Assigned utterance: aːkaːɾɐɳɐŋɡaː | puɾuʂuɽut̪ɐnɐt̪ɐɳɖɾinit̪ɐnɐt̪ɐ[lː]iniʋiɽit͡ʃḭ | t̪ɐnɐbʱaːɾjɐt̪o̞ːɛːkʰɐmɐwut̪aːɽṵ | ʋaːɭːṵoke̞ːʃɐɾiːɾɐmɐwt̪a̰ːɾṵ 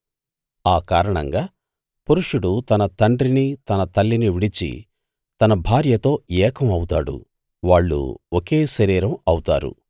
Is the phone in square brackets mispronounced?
no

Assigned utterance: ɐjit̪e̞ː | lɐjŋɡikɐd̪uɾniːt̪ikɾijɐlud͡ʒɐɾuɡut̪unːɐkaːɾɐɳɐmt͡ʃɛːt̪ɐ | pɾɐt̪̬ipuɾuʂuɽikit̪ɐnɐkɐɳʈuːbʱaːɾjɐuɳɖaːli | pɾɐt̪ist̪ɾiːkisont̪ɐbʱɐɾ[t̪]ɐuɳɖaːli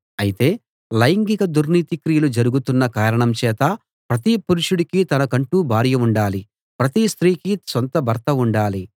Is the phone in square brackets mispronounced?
no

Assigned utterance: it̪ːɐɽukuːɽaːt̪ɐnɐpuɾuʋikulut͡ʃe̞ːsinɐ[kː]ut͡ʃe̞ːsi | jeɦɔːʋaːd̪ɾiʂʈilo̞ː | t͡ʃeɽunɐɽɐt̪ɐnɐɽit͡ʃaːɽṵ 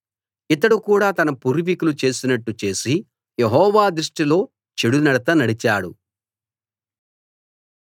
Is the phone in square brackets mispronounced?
yes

